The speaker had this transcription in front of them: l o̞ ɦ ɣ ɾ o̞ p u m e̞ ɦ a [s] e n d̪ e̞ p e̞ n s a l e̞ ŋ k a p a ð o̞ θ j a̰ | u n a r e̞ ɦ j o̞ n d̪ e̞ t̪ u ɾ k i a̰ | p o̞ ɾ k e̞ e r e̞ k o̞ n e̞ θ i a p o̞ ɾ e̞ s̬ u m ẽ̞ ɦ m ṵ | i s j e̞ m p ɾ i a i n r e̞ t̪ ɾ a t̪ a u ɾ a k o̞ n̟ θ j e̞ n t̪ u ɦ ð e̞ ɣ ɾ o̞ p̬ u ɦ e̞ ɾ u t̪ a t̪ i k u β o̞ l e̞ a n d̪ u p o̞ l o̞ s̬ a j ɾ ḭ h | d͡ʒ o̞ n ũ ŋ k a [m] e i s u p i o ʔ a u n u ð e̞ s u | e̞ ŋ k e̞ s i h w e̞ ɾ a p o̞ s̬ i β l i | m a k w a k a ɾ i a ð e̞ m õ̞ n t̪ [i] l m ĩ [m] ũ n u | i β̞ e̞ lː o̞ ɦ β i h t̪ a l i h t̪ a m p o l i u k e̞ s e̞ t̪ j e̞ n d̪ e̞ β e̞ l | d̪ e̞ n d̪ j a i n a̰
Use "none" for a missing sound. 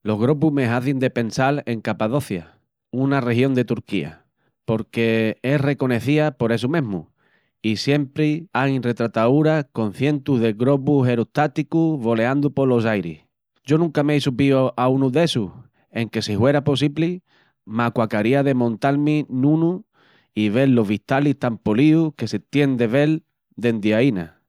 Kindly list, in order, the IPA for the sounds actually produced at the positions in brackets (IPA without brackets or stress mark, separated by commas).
θ, m, a, n